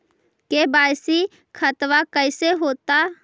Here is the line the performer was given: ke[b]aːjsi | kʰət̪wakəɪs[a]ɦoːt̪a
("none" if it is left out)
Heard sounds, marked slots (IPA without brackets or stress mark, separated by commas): b, e